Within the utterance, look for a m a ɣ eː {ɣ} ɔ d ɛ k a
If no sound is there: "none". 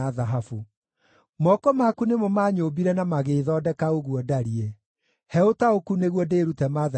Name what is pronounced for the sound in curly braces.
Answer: ð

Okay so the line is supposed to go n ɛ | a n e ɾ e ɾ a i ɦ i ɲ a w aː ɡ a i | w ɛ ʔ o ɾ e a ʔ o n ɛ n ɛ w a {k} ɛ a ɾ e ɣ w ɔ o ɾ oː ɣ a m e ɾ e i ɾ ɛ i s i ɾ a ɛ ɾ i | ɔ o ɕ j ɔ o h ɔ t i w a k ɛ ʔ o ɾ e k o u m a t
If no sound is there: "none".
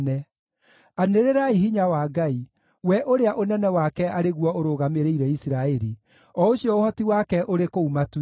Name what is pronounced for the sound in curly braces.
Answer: k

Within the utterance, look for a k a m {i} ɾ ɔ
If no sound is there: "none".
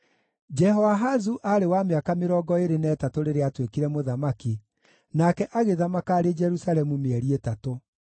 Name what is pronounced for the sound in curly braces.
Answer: e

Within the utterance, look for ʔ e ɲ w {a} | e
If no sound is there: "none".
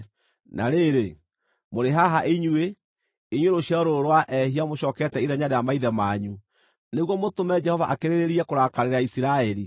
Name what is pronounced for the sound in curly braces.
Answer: e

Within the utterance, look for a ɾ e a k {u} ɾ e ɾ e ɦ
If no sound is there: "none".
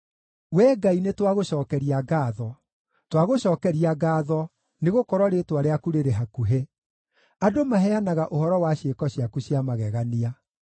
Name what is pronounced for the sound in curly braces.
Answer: u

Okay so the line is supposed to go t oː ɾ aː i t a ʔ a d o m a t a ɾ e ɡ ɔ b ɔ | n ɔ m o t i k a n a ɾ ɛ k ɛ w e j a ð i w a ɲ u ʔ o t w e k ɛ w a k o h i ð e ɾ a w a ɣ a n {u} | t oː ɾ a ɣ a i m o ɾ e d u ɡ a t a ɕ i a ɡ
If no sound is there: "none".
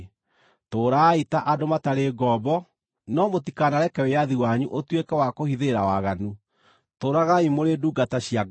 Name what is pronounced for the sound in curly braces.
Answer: u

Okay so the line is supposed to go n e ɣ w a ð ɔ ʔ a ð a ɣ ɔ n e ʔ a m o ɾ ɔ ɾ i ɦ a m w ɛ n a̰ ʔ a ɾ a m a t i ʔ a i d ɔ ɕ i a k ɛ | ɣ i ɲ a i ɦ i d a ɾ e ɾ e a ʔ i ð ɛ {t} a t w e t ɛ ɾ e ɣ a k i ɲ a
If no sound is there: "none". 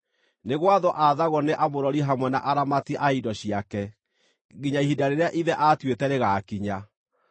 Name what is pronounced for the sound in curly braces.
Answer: ʔ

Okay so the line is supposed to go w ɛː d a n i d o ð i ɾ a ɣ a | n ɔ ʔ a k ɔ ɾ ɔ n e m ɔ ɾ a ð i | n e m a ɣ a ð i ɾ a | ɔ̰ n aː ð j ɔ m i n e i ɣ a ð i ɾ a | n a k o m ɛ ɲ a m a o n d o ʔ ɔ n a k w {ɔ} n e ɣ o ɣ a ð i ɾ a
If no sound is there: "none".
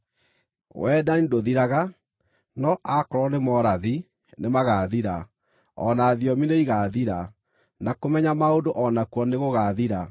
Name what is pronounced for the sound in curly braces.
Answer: ɔ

